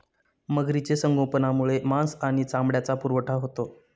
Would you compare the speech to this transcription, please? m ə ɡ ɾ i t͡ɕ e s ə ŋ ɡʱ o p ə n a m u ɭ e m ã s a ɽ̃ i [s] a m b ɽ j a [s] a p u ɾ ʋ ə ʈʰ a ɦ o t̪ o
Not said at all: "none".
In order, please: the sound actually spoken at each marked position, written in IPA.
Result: t͡s, t͡s

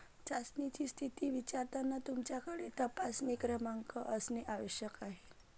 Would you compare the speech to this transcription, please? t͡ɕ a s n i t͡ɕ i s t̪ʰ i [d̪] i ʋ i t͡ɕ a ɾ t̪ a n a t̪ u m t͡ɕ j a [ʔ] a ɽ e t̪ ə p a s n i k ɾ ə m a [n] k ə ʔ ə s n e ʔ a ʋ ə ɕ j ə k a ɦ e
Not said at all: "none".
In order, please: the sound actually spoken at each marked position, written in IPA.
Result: t̪, k, ŋ

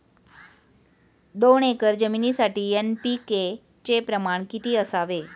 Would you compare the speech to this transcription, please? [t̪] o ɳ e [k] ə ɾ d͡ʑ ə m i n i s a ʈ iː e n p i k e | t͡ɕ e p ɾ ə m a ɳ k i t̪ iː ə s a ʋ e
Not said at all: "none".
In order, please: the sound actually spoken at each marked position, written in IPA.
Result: d̪, k

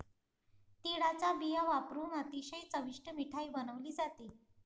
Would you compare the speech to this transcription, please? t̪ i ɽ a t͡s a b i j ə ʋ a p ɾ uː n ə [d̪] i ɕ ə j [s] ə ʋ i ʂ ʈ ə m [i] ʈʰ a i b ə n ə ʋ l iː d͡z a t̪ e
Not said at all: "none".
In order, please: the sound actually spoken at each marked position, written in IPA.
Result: t̪, t͡s, i

